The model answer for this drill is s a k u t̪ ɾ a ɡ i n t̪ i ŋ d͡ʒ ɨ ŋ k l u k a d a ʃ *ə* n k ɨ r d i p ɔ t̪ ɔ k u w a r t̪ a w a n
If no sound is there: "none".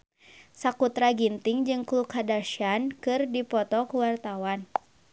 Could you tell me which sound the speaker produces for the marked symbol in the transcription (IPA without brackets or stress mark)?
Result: a